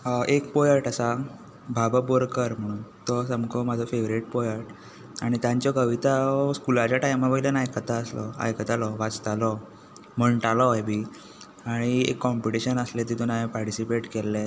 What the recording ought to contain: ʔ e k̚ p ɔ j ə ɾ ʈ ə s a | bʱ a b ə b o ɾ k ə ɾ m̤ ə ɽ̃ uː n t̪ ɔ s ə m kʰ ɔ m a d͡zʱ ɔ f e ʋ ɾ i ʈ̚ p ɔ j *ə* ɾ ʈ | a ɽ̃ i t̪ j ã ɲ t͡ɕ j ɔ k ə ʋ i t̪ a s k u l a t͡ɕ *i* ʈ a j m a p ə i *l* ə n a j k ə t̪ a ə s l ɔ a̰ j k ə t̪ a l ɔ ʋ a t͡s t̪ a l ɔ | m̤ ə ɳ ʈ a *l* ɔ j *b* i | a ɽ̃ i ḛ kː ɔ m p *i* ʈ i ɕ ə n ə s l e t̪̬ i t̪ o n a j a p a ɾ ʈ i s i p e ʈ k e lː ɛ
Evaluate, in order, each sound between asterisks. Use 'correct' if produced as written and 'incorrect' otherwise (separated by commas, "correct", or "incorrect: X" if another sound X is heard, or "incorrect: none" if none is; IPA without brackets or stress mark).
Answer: correct, incorrect: a, correct, correct, correct, correct